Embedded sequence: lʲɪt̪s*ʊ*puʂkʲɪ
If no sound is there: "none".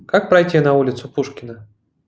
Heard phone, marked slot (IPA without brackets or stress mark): ʊ